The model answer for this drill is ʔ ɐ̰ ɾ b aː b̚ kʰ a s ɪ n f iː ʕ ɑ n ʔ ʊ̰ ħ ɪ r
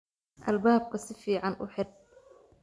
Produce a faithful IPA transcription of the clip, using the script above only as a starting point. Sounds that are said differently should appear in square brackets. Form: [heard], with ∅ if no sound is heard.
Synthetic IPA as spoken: ʔ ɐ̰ [l] b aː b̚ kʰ [ɐ] s ɪ [∅] f iː ʕ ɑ n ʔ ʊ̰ ħ ɪ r